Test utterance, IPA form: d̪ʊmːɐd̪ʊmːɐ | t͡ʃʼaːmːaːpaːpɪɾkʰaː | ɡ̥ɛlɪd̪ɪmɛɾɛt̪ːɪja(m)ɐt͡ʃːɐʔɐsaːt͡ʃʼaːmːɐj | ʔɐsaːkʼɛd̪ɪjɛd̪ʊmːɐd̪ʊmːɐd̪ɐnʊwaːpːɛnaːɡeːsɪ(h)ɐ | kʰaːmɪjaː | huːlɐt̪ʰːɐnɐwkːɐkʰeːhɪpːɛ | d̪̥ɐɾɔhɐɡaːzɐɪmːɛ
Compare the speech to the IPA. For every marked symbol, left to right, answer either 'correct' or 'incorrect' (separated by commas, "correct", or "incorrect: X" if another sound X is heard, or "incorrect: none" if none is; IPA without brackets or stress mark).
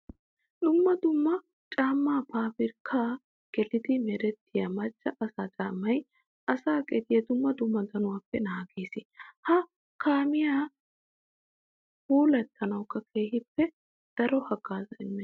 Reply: correct, correct